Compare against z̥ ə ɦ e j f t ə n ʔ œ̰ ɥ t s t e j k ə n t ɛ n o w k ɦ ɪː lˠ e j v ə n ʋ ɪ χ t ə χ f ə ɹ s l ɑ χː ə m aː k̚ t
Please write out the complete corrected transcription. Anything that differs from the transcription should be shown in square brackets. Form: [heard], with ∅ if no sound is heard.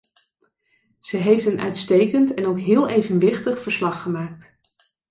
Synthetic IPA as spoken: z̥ ə ɦ e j f t ə n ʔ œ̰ ɥ t s t e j k ə n t ɛ n o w k ɦ ɪː lˠ e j v ə n ʋ ɪ χ t ə χ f ə ɹ s l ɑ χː ə m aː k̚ t